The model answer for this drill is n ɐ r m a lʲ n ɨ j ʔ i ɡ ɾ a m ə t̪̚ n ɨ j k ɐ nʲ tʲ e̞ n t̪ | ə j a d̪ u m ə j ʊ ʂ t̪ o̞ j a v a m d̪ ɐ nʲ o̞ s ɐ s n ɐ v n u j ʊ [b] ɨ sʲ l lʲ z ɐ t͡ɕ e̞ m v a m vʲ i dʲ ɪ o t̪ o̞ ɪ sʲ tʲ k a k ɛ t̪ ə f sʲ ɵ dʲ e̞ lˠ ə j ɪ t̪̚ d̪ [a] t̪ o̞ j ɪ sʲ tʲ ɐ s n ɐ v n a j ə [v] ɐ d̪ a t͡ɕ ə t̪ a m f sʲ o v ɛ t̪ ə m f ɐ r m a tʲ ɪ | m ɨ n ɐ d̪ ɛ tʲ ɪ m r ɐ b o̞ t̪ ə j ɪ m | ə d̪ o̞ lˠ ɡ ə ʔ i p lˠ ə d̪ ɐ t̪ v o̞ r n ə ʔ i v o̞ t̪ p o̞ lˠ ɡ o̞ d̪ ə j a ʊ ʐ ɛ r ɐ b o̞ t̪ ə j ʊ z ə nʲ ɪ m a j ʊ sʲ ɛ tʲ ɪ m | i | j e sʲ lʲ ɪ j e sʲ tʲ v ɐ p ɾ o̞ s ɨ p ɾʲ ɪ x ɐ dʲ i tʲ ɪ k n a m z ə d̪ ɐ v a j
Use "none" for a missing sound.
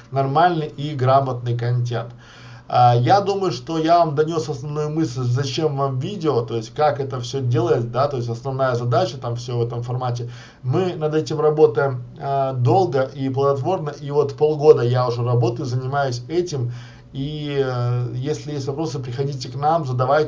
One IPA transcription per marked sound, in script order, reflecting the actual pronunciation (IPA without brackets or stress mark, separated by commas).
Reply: m, a, z